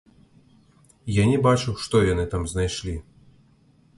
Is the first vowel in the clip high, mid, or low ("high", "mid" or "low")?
low